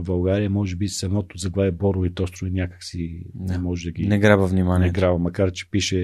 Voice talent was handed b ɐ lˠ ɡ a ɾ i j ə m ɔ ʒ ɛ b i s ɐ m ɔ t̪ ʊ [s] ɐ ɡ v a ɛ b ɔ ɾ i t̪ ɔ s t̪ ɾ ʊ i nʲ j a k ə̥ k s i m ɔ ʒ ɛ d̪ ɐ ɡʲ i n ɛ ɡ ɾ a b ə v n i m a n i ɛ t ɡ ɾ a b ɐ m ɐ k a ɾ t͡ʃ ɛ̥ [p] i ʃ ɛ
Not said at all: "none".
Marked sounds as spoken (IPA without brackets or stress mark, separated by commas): z, p